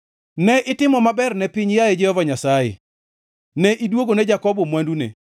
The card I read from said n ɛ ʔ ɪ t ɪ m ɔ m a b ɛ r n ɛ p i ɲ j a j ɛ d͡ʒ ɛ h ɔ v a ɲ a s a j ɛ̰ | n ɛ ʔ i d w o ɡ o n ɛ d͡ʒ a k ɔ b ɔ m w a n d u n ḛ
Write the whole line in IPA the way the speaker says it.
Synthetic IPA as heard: n ɛ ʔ ɪ t ɪ m ɔ m a b ɛ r n ɛ p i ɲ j a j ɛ d͡ʒ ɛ h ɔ v a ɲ a s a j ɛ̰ | n ɛ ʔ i d w o ɡ o n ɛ d͡ʒ a k ɔ b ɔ m w a n d u n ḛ